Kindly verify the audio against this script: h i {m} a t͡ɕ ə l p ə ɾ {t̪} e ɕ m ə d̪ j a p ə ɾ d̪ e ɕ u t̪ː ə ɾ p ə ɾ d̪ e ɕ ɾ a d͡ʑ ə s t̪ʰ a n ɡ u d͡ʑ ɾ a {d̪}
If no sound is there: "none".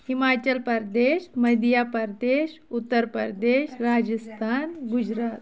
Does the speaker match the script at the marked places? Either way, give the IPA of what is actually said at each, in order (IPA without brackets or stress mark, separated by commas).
m, d̪, t̪